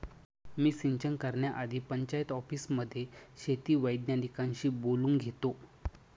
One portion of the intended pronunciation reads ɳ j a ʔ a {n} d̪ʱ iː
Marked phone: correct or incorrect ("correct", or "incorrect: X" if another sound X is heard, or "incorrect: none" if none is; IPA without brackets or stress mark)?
incorrect: none